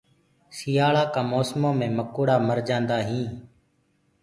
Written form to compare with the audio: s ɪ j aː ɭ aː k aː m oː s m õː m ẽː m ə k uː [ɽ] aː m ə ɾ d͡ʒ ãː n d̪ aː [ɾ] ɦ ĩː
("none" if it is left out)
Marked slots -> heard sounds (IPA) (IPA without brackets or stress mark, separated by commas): ɽ, none